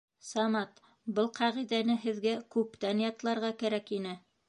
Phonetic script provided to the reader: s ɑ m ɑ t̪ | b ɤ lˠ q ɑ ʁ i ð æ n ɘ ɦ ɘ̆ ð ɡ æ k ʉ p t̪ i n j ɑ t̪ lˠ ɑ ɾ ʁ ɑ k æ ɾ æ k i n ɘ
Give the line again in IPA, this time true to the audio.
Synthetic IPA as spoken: s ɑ m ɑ t̪ | b ɤ lˠ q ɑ ʁ i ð æ n ɘ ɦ ɘ̆ ð ɡ æ k ʉ p t̪ æ n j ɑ t̪ lˠ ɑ ɾ ʁ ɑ k æ ɾ æ k i n ɘ